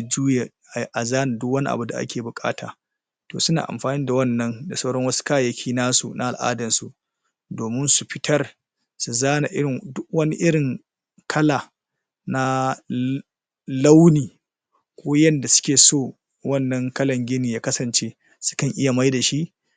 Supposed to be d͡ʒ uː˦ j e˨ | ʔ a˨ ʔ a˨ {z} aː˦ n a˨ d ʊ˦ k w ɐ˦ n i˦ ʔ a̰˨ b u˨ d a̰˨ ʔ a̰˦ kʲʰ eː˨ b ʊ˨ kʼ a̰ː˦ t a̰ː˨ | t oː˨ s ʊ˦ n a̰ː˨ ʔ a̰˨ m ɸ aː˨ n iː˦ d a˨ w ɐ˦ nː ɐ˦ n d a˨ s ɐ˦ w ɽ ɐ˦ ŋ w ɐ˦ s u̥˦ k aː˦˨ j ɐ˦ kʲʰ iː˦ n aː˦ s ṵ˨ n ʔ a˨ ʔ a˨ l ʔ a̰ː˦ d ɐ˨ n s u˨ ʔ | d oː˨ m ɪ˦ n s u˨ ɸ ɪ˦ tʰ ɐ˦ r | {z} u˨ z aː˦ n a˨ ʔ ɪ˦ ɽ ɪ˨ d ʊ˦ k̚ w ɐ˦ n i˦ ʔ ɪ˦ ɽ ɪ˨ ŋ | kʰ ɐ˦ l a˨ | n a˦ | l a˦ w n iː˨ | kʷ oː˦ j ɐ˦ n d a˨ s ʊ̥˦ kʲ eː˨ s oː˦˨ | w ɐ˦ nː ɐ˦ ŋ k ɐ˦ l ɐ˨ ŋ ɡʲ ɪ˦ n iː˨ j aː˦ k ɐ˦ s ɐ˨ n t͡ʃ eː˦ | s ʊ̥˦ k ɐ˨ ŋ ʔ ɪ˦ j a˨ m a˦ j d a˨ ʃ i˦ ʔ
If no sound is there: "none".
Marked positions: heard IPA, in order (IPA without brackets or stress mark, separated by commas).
z, s